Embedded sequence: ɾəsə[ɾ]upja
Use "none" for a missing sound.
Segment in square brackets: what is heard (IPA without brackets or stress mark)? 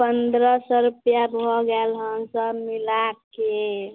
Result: ɾ